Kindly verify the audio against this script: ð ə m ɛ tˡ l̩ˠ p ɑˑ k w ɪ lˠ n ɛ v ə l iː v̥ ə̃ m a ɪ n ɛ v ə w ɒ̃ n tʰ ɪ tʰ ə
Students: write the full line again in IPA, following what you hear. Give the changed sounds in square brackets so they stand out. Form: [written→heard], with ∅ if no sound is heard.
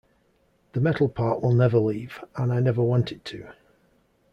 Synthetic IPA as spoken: ð ə m ɛ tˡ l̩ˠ [p→pʰ] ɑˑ [k→ʔ] w ɪ lˠ n ɛ v ə l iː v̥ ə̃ [m→n] a ɪ n ɛ v ə w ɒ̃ n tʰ ɪ tʰ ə